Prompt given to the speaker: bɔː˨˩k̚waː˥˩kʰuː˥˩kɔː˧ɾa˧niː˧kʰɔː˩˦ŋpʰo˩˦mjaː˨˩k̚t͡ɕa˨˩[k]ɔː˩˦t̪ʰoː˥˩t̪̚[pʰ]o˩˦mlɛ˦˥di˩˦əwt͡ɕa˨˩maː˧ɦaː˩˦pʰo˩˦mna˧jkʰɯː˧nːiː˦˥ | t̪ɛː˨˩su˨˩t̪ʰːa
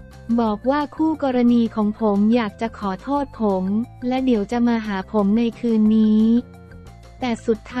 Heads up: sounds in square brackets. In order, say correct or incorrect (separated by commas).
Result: incorrect, correct